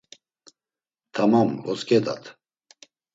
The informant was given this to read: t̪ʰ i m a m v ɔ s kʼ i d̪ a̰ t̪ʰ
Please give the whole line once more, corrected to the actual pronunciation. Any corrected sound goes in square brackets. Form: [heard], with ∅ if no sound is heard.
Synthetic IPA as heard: t̪ʰ [a] m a m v ɔ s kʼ [ɛ] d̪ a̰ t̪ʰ